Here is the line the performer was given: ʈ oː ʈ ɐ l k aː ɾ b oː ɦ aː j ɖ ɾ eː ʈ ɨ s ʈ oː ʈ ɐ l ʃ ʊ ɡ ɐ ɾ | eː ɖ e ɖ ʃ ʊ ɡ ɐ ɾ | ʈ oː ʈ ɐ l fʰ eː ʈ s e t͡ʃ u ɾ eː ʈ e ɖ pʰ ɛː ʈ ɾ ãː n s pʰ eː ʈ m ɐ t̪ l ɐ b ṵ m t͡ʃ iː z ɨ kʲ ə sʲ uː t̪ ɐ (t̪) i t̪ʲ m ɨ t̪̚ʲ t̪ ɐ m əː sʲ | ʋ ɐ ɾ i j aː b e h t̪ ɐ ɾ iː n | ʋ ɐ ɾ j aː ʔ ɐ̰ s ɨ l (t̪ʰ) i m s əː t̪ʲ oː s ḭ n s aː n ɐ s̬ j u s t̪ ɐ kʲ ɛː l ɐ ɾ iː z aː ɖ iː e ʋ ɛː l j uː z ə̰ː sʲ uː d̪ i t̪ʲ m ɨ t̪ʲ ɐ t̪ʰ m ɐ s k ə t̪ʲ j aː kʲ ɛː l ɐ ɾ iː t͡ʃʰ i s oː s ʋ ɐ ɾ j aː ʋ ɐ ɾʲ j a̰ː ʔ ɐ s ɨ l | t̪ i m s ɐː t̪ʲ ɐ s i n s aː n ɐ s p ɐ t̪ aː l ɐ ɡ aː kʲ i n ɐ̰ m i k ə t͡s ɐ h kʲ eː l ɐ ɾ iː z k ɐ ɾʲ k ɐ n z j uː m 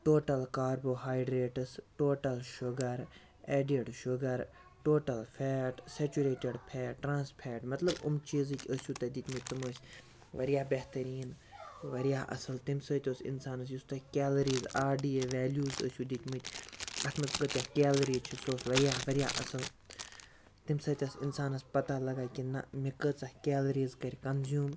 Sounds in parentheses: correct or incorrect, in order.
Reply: incorrect, incorrect

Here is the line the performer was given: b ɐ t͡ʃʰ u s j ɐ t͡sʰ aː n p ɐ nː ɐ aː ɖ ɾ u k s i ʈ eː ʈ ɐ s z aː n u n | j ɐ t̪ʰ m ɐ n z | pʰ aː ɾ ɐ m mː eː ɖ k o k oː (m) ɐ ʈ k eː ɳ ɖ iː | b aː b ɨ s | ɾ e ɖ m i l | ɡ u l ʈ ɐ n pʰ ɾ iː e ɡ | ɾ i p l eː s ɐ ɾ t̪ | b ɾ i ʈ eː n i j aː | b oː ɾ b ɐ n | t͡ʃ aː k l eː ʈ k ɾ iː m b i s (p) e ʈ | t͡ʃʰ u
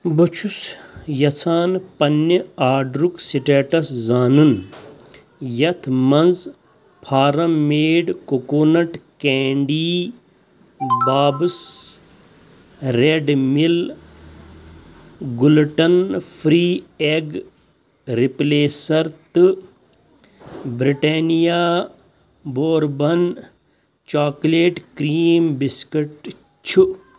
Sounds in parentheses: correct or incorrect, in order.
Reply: incorrect, incorrect

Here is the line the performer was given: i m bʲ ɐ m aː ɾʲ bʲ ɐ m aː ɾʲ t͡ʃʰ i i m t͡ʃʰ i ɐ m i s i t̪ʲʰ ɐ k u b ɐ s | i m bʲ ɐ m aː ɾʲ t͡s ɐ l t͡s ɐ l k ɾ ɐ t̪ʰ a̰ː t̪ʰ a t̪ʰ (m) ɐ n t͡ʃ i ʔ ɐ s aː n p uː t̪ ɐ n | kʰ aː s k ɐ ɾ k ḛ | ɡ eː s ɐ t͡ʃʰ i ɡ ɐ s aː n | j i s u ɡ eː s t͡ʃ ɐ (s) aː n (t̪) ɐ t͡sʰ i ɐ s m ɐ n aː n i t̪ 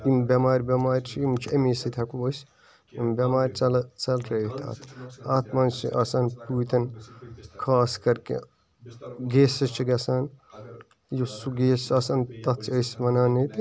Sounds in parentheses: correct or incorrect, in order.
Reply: correct, correct, correct

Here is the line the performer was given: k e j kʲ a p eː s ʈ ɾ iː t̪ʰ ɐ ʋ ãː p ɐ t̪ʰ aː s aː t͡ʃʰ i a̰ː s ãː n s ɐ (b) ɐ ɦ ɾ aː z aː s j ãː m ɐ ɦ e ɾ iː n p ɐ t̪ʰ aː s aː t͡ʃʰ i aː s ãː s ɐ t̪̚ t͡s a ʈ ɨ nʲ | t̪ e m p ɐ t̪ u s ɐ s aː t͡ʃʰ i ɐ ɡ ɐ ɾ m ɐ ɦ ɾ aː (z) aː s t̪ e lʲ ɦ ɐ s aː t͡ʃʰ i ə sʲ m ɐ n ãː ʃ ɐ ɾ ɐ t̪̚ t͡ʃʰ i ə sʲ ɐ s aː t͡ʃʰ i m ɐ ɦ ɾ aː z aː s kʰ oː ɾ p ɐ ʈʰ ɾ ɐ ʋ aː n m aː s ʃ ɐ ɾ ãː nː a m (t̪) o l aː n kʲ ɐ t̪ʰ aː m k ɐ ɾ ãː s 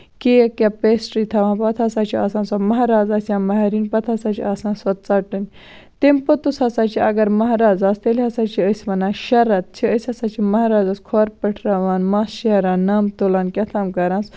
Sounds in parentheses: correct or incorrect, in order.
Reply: incorrect, correct, correct

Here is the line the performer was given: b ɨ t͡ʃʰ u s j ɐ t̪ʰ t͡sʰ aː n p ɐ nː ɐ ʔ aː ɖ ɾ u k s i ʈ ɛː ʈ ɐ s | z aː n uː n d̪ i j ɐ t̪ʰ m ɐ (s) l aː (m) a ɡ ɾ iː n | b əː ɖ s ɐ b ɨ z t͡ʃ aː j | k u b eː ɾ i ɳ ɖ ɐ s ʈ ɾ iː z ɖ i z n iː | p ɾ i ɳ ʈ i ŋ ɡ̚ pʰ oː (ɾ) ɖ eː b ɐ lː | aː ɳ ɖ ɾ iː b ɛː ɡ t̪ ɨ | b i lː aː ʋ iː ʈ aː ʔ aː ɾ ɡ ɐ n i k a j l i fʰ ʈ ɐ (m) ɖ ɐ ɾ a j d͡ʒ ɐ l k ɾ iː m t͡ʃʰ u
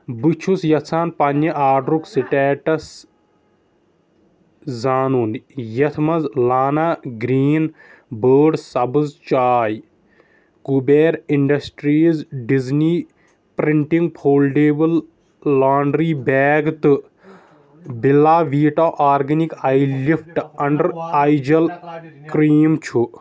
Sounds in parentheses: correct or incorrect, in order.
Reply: incorrect, incorrect, incorrect, incorrect

